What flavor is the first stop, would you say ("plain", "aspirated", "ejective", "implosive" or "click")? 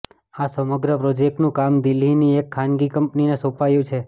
plain